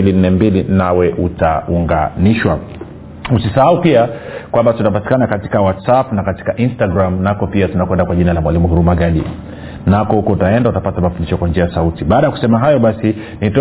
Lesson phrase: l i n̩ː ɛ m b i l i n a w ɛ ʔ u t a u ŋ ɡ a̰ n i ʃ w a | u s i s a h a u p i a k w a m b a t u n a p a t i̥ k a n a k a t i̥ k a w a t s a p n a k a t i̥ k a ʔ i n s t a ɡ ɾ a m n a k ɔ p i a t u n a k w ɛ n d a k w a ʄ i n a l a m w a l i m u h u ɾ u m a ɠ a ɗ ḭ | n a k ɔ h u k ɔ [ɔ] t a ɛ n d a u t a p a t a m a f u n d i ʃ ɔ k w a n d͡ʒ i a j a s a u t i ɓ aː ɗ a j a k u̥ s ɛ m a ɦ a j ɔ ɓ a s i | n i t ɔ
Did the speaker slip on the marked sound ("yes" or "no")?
yes